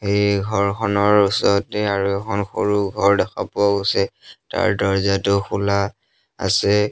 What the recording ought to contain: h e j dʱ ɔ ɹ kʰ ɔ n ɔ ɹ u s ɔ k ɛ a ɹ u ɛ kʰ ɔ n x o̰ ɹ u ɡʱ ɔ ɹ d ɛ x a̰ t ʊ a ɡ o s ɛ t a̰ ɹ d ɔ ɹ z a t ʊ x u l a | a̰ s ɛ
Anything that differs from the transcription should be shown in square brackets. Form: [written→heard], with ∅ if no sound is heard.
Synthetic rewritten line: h e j [dʱ→ɡʱ] ɔ ɹ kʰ ɔ n ɔ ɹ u s ɔ [k→t] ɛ a ɹ u ɛ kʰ ɔ n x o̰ ɹ u ɡʱ ɔ ɹ d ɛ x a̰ [t→p] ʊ a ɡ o s ɛ t a̰ ɹ d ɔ ɹ z a t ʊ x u l a | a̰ s ɛ